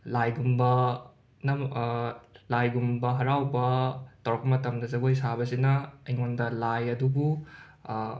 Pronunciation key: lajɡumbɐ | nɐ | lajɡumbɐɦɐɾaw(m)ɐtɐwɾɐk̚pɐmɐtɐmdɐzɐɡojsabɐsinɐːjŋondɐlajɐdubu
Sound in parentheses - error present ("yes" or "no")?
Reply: yes